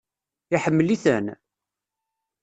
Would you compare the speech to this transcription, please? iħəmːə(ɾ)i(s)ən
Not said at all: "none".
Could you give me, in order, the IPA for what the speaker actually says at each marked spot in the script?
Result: l, θ

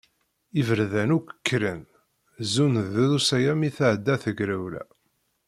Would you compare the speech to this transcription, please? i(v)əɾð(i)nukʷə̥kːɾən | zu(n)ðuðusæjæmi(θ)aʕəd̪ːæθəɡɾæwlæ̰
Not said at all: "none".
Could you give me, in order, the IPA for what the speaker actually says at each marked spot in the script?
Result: v, æ, n, θ

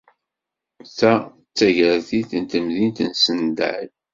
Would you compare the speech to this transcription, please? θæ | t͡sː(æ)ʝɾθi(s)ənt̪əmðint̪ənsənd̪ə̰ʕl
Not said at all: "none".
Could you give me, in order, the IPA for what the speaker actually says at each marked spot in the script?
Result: æ, θ

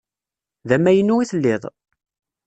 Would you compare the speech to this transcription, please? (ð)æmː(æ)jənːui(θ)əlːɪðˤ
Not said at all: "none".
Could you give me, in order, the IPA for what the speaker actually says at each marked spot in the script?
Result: ð, æ, θ

